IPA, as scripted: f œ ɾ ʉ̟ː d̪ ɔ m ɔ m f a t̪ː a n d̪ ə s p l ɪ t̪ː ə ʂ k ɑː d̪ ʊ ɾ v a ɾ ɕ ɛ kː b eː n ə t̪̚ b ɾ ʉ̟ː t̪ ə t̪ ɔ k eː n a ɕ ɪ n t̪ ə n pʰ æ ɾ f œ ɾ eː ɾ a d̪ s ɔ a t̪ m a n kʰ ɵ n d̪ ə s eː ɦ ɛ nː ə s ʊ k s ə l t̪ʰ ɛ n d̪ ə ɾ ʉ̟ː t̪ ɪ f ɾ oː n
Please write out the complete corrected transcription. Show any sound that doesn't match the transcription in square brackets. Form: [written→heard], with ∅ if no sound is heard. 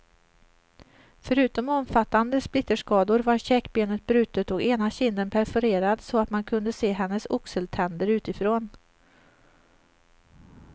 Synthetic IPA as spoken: f œ ɾ ʉ̟ː [d̪→t̪] ɔ m ɔ m f a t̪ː a n d̪ ə s p l ɪ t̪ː ə ʂ k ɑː d̪ ʊ ɾ v a ɾ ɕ ɛ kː b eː n ə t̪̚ b ɾ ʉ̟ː t̪ ə t̪ ɔ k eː n a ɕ ɪ n [t̪→d̪] ə n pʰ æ ɾ f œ ɾ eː ɾ a d̪ s ɔ a t̪ m a n kʰ ɵ n d̪ ə s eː ɦ ɛ nː ə s ʊ k s ə l t̪ʰ ɛ n d̪ ə ɾ ʉ̟ː t̪ ɪ f ɾ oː n